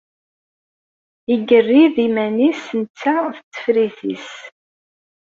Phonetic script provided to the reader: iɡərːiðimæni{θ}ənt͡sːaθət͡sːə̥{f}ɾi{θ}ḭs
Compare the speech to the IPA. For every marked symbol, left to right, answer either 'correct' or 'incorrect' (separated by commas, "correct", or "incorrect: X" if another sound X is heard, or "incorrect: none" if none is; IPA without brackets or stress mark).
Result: incorrect: s, correct, correct